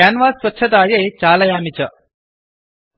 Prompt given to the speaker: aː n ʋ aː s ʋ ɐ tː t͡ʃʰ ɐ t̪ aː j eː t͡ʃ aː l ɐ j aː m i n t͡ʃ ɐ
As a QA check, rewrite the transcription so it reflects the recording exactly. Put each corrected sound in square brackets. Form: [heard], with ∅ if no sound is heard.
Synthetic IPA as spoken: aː n ʋ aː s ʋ ɐ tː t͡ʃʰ ɐ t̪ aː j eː t͡ʃ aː l ɐ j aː m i [∅] t͡ʃ ɐ